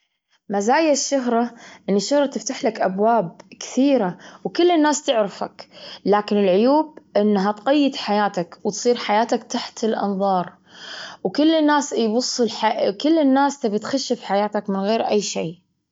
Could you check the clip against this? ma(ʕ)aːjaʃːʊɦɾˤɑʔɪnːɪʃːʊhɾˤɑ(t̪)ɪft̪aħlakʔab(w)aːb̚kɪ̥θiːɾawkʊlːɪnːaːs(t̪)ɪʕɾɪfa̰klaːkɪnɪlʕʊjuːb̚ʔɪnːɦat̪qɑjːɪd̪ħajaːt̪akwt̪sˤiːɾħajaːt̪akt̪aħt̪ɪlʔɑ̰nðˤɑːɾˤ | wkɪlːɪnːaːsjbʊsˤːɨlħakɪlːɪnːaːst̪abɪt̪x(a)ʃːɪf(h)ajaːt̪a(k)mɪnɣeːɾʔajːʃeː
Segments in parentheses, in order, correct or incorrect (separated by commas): incorrect, correct, correct, correct, correct, incorrect, correct